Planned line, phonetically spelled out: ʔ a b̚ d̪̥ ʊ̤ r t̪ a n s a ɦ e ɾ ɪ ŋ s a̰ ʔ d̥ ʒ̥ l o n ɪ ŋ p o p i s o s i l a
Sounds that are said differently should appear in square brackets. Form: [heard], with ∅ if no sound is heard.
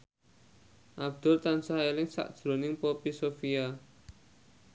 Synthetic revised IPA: ʔ a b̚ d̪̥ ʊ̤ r t̪ a n s a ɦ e [l] ɪ ŋ s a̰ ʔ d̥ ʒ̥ [ɾ] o n ɪ ŋ p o p i s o [f] i [∅] a